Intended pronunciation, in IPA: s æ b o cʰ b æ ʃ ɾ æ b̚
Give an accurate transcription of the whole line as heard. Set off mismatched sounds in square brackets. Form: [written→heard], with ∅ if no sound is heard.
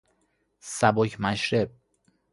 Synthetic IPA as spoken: s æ b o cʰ [b→m] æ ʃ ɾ [æ→e] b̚